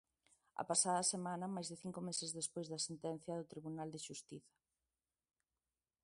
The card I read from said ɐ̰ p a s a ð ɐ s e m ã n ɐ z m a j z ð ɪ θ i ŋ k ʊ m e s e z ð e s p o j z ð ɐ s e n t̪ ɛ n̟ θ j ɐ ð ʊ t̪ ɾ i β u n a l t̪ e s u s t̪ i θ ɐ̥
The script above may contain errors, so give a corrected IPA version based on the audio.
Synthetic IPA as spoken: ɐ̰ p a s a ð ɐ s e m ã n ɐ m a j z ð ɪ θ i ŋ k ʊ m e s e z ð e s p o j z ð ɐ s e n t̪ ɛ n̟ θ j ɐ ð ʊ t̪ ɾ i β u n a l d̪ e ʃ u s t̪ i θ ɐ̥

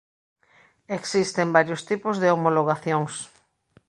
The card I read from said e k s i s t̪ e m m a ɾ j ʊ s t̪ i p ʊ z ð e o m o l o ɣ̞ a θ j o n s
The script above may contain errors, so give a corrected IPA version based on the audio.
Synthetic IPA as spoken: e k s i s t̪ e m b a ɾ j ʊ s t̪ i p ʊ z ð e o m o l o ɣ̞ a θ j o ŋ s

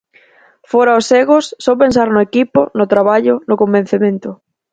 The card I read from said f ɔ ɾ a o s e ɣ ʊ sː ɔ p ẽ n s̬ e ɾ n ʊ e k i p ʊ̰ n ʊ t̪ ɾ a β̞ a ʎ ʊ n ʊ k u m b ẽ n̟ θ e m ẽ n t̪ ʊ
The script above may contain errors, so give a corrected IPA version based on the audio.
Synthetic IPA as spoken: f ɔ ɾ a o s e ɣ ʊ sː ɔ p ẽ n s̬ a ɾ n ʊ e k i p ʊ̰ n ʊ t̪ ɾ a β̞ a ʎ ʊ n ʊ k o m b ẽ n̟ θ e m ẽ n t̪ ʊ

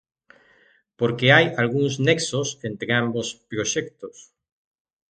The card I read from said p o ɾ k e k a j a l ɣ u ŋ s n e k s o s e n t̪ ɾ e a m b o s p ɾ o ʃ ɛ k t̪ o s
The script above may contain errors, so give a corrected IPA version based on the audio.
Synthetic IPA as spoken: p o ɾ k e a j a l ɣ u ŋ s n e k s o s e n t̪ ɾ e a m b o s p ɾ o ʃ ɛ k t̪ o s

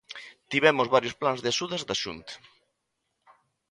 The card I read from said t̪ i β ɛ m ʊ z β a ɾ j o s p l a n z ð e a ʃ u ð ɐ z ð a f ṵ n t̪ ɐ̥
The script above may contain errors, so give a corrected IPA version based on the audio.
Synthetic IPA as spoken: t̪ i β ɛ m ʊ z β a ɾ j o s p l a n z ð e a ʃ u ð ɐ z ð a ʃ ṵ n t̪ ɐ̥

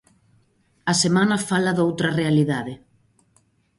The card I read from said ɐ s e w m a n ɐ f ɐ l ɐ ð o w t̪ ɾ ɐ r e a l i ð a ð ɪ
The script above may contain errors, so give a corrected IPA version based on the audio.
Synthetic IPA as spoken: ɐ s e m a n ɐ f a l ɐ ð o w t̪ ɾ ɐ r e a l i ð a ð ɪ

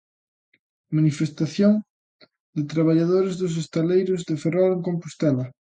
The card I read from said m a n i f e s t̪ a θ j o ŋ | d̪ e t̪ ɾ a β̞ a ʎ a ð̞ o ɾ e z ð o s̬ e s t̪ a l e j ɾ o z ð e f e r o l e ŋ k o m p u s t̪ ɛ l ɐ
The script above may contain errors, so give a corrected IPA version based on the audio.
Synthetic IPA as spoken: m a n i f e s t̪ a θ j o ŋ | d̪ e t̪ ɾ a β̞ a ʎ a ð̞ o ɾ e z ð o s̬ e s t̪ a l e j ɾ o z ð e f e r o l e ŋ k o m p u s t̪ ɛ l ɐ

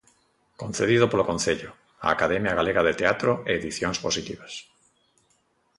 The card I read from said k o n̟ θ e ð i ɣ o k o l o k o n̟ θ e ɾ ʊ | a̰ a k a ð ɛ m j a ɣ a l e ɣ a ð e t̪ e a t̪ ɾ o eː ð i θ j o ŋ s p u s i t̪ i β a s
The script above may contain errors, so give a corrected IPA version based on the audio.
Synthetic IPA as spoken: k o n̟ θ e ð i ð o p o l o k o n̟ θ e ʎ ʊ | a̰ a k a ð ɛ m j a ɣ a l e ɣ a ð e t̪ e a t̪ ɾ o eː ð i θ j o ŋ s p o s i t̪ i β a s

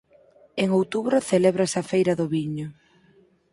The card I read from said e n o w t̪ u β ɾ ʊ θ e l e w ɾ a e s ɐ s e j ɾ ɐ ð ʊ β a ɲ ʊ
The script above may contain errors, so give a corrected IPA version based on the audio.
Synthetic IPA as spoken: e ŋ o w t̪ u β ɾ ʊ θ e l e β ɾ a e s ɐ f e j ɾ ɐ ð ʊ β i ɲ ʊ

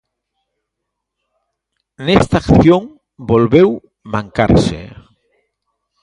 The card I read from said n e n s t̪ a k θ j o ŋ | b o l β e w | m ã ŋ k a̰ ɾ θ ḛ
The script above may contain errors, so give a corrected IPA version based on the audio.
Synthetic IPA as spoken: n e s t̪ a k θ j o ŋ | b o l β e w | m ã ŋ k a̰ ɾ s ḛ

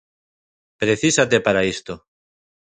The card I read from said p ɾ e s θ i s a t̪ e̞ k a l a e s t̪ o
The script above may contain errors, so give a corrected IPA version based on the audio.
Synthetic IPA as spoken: p ɾ e θ i s a t̪ e̞ p a ɾ a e s t̪ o

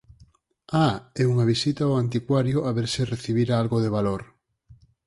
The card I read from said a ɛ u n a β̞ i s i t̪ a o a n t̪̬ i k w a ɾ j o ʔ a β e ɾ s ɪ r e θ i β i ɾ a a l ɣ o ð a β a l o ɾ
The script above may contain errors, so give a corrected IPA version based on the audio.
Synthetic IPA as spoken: a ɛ u ŋ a β̞ i s i t̪ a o a n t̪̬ i k w a ɾ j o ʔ a β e ɾ s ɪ r e θ i β i ɾ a a l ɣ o ð e β a l o ɾ

